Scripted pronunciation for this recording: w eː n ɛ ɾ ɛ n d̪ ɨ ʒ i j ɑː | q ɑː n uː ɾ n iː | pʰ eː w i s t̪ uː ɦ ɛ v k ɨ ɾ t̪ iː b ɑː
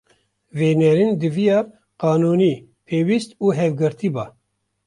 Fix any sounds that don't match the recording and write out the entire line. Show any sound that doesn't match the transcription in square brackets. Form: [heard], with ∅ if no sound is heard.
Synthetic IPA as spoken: [v] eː n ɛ ɾ [i] n d̪ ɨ [v] i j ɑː | q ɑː n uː [∅] n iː | pʰ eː w i s t̪ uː ɦ ɛ v [ɡ] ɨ ɾ t̪ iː b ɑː